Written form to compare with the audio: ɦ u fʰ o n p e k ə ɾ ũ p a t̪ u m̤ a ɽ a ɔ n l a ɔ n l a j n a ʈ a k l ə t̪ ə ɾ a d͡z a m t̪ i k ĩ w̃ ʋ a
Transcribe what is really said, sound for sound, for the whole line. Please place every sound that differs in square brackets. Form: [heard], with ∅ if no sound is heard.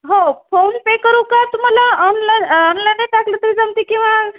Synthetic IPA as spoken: ɦ [o] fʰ o n p e k ə ɾ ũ [k] a t̪ u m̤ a [l] a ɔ n l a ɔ n l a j n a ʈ a k l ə t̪ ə ɾ [i] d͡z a m t̪ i k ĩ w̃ ʋ a